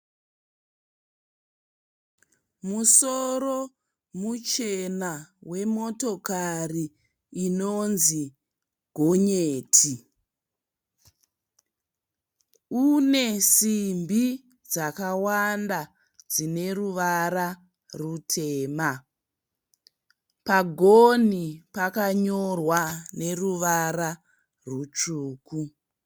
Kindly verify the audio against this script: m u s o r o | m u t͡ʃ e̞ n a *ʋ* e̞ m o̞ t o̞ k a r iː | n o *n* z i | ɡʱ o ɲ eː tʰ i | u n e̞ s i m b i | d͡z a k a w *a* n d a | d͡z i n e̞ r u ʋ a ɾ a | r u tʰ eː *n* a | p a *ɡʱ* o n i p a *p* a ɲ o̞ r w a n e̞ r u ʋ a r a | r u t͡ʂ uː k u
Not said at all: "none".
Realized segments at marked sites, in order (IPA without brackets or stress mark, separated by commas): w, n, a, m, ɡʱ, k